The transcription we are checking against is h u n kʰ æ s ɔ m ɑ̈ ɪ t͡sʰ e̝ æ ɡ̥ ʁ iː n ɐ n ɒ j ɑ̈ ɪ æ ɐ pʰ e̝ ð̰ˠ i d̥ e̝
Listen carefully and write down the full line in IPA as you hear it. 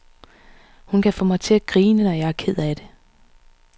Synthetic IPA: h u n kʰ æ f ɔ m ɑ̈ ɪ t͡sʰ e̝ æ ɡ̥ ʁ iː n ə n ɒ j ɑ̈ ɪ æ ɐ kʰ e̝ ð̰ˠ æ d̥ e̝